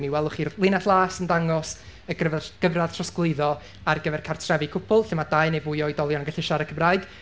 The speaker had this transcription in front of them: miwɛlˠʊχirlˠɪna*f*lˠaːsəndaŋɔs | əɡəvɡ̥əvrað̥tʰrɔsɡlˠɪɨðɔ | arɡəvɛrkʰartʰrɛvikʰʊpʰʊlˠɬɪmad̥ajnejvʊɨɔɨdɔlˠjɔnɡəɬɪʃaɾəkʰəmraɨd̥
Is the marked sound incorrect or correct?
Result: incorrect